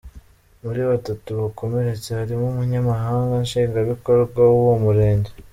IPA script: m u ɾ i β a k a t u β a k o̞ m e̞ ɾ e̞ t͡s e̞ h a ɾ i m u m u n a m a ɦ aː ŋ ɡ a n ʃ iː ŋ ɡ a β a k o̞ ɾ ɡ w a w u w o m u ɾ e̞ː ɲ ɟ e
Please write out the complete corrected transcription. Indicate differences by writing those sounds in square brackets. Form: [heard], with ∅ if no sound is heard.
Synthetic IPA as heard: m u ɾ i β a [t] a t u β a k o̞ m e̞ ɾ e̞ t͡s e̞ h a ɾ i m u m u [ɲ] a m a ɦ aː ŋ ɡ a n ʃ iː ŋ ɡ a β [i] k o̞ ɾ ɡ w a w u w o m u ɾ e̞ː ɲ ɟ e